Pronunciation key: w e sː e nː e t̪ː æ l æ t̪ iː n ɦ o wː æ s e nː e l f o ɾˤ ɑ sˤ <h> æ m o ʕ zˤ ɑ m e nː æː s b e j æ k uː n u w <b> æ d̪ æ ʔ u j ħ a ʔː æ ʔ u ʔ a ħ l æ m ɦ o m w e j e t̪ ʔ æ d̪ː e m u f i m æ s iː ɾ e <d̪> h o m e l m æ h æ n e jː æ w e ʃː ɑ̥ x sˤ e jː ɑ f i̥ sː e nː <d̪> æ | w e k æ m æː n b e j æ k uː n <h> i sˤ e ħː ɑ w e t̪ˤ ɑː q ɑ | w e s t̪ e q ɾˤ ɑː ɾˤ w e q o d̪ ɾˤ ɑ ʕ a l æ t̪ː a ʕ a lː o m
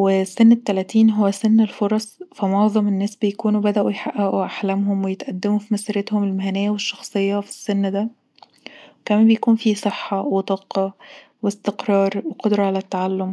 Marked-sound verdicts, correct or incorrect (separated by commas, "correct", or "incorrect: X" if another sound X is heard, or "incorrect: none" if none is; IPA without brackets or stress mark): incorrect: f, correct, incorrect: t̪, correct, incorrect: f